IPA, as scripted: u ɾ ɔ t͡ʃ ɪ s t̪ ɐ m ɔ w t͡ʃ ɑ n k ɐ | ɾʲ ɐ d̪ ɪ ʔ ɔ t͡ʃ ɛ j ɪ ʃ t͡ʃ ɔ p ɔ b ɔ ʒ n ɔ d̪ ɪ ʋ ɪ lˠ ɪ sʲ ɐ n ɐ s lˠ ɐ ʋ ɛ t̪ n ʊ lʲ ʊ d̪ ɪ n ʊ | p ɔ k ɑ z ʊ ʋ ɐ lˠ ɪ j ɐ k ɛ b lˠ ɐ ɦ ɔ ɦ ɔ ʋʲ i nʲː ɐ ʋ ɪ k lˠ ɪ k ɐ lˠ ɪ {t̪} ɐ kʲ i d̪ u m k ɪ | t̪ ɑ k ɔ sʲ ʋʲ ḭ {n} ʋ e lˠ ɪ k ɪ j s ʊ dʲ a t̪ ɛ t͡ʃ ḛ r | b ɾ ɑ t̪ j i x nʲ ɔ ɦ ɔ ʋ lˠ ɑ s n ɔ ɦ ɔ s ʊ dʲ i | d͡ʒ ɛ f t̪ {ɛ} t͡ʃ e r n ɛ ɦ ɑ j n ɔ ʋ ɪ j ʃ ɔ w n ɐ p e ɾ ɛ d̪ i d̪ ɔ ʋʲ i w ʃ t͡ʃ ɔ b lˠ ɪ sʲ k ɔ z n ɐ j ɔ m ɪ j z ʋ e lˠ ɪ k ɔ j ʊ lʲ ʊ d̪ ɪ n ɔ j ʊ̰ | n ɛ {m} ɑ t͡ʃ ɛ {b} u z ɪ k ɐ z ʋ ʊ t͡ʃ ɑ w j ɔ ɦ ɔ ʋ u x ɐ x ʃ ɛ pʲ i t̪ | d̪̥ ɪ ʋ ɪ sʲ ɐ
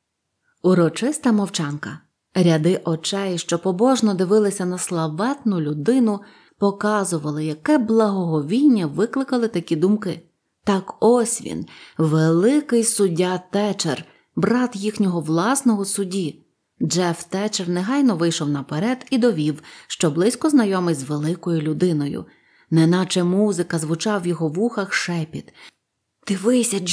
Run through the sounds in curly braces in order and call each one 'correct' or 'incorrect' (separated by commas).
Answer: correct, correct, correct, incorrect, incorrect